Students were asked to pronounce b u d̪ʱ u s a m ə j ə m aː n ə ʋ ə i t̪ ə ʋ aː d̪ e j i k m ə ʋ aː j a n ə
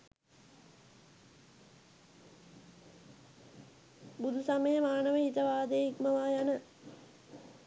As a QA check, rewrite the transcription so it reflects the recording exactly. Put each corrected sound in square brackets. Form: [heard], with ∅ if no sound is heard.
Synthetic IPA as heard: b u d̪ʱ u s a m ə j ə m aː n ə ʋ ə i t̪ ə ʋ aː d̪ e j i k m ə ʋ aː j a n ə